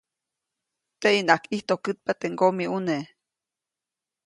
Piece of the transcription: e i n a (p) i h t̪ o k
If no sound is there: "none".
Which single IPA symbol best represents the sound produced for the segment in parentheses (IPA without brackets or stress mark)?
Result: k